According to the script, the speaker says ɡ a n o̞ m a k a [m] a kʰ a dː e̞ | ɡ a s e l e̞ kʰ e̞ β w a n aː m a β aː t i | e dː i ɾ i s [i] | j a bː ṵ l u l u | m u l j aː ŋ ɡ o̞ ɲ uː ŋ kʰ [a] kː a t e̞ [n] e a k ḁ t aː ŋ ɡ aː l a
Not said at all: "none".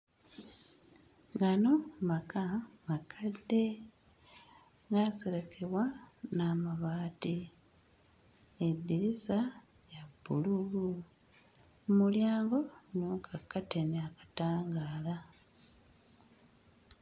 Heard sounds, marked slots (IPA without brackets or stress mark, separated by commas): m, a, a, n